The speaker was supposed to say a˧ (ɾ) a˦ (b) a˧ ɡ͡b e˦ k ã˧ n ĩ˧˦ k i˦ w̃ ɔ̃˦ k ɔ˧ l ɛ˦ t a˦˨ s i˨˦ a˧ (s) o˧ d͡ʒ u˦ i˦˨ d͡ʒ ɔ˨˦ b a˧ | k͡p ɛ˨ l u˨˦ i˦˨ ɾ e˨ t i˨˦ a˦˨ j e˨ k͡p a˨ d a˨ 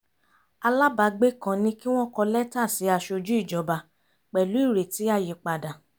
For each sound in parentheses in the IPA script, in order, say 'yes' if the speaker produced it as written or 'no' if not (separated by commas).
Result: no, yes, no